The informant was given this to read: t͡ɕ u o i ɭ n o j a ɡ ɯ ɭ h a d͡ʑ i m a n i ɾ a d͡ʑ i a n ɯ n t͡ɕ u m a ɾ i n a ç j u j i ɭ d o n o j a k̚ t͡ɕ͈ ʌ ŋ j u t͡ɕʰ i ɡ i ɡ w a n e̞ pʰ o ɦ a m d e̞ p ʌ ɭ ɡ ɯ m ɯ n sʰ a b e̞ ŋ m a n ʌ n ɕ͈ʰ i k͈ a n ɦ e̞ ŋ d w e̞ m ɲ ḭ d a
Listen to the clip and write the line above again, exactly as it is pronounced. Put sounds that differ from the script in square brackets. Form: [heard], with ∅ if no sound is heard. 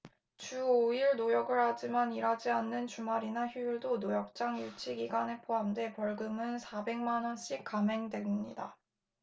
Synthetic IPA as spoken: t͡ɕ u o i ɭ n o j [ʌ] ɡ ɯ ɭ h a d͡ʑ i m a n i ɾ a d͡ʑ i a [nː] ɯ n t͡ɕ u m a ɾ i n a ç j u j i ɭ d o n o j [ʌ] k̚ t͡ɕ͈ [a] ŋ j u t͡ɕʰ i ɡ i ɡ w a n e̞ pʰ o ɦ a m d e̞ p ʌ ɭ ɡ ɯ m ɯ n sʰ a b e̞ ŋ m a n ʌ n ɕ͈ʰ i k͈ a [m] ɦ e̞ ŋ d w e̞ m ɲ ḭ d a